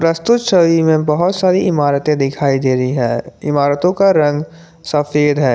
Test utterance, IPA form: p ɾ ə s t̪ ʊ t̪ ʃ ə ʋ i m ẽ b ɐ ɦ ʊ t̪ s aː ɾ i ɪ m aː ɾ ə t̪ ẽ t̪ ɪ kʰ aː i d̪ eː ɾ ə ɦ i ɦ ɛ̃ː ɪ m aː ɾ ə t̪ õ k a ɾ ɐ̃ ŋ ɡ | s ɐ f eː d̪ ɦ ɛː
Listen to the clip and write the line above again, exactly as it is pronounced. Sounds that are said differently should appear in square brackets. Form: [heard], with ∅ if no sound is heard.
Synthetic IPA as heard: p ɾ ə s t̪ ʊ t̪ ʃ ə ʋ i m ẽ b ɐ ɦ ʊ t̪ s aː ɾ i ɪ m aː ɾ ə t̪ ẽ [d̪] ɪ kʰ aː i d̪ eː ɾ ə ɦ i ɦ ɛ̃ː ɪ m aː ɾ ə t̪ õ k a ɾ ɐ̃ ŋ ɡ | s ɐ f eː d̪ ɦ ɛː